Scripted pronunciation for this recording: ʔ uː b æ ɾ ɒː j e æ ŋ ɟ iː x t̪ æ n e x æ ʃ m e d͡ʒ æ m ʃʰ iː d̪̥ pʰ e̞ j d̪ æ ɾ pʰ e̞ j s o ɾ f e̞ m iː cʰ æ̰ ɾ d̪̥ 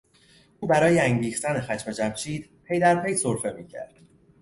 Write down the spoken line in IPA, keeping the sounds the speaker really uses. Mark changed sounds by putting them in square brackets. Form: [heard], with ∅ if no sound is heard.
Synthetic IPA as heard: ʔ uː b æ ɾ ɒː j e æ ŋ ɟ iː x t̪ æ n e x æ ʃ m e d͡ʒ æ m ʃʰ iː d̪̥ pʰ e̞ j d̪ æ ɾ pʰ e̞ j s o ɾ f e̞ m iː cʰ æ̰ ɾ d̪̥